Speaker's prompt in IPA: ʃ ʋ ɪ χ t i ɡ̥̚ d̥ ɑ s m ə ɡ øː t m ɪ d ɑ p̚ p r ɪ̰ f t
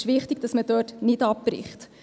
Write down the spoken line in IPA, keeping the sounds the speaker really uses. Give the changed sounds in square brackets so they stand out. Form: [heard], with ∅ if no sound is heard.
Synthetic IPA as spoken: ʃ ʋ ɪ χ t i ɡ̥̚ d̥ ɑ s m ə [d] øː t [n] ɪ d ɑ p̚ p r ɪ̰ [χ] t